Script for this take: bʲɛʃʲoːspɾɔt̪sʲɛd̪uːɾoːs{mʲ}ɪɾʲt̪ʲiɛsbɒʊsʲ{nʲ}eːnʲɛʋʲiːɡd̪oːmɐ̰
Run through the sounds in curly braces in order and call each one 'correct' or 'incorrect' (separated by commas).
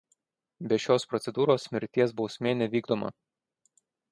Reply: correct, incorrect